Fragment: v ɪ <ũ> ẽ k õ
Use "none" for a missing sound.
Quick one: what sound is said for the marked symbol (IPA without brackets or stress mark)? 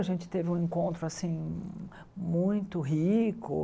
ũ